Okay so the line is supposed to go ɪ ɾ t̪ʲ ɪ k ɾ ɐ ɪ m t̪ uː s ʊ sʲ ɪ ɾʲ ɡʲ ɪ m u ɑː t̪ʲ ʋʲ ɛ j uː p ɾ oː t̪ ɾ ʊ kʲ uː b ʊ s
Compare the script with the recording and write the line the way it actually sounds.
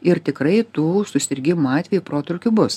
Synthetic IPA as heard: ɪ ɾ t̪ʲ ɪ k ɾ ɐ ɪ t̪ uː s ʊ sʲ ɪ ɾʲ ɡʲ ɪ m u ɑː t̪ʲ ʋʲ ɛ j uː p ɾ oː t̪ ɾ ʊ kʲ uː b ʊ s